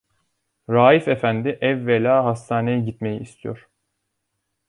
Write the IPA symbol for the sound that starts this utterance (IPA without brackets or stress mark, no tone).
ɾ